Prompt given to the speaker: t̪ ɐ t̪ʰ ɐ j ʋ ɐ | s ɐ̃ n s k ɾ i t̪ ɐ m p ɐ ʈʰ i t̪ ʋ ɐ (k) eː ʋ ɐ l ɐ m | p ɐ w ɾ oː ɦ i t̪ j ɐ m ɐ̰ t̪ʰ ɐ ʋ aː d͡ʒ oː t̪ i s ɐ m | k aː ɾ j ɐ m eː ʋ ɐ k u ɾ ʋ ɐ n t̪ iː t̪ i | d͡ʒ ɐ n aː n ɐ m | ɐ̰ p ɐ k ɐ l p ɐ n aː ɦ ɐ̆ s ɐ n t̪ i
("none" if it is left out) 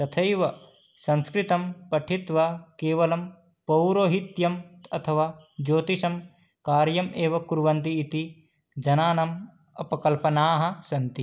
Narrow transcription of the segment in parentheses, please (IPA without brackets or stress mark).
k